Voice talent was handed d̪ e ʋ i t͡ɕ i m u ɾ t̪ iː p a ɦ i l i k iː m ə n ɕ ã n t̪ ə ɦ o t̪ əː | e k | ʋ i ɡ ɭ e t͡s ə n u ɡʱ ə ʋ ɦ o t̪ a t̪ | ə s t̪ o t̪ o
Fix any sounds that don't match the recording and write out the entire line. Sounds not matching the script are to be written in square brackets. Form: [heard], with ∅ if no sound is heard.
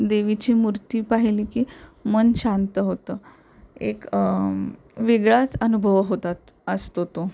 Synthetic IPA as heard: d̪ e ʋ i t͡ɕ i m u ɾ t̪ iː p a ɦ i l i k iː m ə n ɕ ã n t̪ ə ɦ o t̪ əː | e k | ʋ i ɡ ɭ [a] t͡s ə n u [bʱ] ə ʋ ɦ o t̪ a t̪ | ə s t̪ o t̪ o

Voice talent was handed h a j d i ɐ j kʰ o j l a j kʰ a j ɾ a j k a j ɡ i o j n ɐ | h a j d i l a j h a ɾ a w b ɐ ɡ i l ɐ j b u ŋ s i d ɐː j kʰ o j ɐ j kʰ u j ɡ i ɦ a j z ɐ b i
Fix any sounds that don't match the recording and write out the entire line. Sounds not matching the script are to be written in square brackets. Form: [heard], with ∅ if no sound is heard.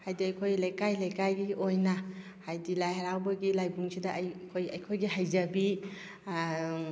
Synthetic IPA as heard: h a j d i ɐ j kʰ o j l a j [k] a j [l] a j k a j ɡ i o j n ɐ | h a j d i l a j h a ɾ a w b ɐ ɡ i l [a] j b u ŋ s i d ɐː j kʰ o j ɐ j kʰ [o] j ɡ i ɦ a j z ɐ b i

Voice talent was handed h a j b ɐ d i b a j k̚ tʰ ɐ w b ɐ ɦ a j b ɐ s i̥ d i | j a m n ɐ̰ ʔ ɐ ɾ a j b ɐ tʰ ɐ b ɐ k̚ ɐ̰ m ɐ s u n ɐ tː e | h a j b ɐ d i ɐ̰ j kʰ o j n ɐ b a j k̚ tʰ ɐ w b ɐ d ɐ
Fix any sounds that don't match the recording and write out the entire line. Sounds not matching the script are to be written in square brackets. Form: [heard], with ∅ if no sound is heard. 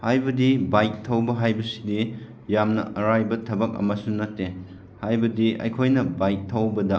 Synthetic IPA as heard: h a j b ɐ d i b a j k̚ tʰ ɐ w b ɐ ɦ a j b ɐ s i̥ d i | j a m n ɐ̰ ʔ ɐ ɾ a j b ɐ tʰ ɐ b ɐ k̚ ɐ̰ m ɐ s u n ɐ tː e | h a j b ɐ d i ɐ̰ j kʰ o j n ɐ b a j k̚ tʰ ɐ w b ɐ d ɐ

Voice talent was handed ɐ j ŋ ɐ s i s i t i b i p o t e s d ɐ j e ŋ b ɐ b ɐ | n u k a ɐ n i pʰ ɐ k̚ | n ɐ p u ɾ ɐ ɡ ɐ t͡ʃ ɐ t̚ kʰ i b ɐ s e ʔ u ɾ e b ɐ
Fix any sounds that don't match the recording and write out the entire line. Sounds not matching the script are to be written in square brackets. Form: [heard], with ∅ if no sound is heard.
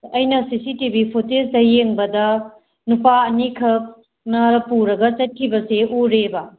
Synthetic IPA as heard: ɐ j [n] ɐ s i s i t i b i [pʰ] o t e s d ɐ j e ŋ b ɐ [d] ɐ | n u [p] a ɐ n i [kʰ] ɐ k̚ | n ɐ p u ɾ ɐ ɡ ɐ t͡ʃ ɐ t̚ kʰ i b ɐ s e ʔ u ɾ e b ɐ

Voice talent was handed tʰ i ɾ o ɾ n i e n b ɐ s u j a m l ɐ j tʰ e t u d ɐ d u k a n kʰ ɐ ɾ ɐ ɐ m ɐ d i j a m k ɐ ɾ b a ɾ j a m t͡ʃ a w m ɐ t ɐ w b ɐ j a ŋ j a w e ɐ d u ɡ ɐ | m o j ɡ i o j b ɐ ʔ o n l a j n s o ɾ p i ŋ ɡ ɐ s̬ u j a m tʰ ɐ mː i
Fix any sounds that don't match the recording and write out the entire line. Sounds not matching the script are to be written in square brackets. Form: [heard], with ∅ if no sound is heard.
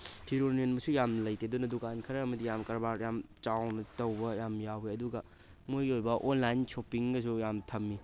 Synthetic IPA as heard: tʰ i ɾ o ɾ n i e n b ɐ s u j a m l ɐ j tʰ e [d] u [n] ɐ d u k a n kʰ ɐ ɾ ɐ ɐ m ɐ d i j a m k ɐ ɾ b a ɾ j a m t͡ʃ a w [n] ɐ t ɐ w b ɐ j a [m] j a w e ɐ d u ɡ ɐ | m o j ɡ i o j b ɐ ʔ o n l a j n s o [∅] p i ŋ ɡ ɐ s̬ u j a m tʰ ɐ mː i

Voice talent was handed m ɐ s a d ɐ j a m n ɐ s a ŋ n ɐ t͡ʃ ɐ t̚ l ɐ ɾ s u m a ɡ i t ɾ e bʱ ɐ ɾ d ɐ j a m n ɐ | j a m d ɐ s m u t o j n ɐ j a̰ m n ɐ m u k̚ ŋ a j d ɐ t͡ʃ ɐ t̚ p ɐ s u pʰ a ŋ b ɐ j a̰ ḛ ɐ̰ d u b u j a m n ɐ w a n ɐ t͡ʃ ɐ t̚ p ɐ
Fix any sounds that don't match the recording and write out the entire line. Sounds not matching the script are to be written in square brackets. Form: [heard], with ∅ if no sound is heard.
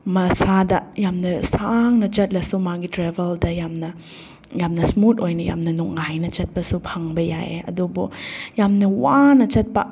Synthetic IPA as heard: m ɐ s a d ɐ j a m n ɐ s a ŋ n ɐ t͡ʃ ɐ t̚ l ɐ [∅] s u m a ɡ i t ɾ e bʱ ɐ [l] d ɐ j a m n ɐ | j a m [n] ɐ s m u t o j n ɐ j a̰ m n ɐ [n] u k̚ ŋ a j [n] ɐ t͡ʃ ɐ t̚ p ɐ s u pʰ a ŋ b ɐ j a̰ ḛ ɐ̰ d u b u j a m n ɐ w a n ɐ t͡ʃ ɐ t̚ p ɐ

